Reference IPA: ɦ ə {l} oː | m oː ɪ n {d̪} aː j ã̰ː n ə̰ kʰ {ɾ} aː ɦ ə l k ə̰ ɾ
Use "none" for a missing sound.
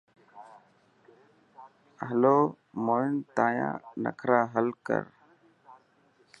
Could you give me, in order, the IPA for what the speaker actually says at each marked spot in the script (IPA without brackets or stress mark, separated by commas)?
l, t̪, ɾ